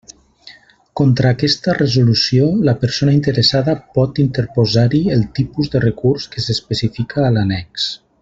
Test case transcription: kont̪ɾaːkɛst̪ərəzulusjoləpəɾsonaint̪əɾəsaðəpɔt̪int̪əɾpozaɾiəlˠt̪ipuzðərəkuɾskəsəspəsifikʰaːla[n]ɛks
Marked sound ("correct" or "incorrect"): correct